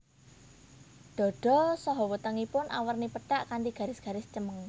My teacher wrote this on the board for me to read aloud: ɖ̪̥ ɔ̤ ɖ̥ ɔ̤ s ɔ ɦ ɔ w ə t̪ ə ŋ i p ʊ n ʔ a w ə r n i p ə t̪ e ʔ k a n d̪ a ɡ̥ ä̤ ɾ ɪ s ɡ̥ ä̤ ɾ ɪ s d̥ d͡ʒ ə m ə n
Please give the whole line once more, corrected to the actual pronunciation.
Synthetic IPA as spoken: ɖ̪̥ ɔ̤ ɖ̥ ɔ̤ s ɔ ɦ ɔ w ə t̪ ə ŋ i p ʊ n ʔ a w ə r n i p ə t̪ a ʔ k a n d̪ i ɡ̥ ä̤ ɾ ɪ s ɡ̥ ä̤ ɾ ɪ s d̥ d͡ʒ ə m ə ŋ